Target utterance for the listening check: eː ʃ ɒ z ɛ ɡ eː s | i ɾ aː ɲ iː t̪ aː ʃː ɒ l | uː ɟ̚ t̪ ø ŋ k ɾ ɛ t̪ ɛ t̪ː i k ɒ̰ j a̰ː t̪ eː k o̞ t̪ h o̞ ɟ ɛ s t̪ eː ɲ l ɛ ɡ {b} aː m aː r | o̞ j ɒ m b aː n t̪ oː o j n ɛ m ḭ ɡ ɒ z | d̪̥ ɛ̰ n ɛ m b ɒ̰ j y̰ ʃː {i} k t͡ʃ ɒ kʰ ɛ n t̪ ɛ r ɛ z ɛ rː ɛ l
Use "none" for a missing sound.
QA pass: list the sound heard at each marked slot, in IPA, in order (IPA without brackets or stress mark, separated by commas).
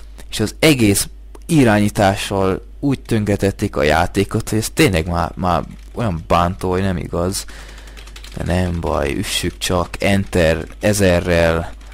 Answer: m, y